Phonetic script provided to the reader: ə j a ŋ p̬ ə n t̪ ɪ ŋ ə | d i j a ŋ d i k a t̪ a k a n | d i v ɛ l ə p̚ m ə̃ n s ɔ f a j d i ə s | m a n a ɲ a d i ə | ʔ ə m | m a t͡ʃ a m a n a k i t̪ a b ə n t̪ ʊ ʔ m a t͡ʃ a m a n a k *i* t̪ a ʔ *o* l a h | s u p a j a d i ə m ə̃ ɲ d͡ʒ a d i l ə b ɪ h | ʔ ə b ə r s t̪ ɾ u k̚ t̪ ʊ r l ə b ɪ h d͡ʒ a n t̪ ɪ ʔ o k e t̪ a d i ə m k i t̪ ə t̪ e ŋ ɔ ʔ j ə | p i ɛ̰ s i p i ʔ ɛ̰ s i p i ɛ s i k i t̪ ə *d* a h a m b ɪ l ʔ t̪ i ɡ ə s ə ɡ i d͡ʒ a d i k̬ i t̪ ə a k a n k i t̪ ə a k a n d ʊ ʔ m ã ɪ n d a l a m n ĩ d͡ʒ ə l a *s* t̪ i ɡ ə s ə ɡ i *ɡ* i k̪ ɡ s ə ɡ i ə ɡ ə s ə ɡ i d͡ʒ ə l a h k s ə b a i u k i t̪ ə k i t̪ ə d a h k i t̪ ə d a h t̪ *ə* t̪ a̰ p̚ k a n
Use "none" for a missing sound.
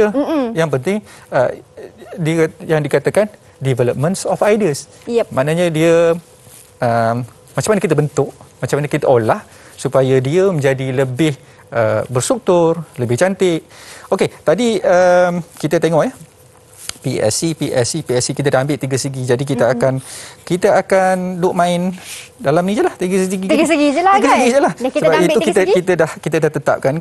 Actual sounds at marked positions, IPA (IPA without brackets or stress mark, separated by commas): i, o, d, h, ɡ, ə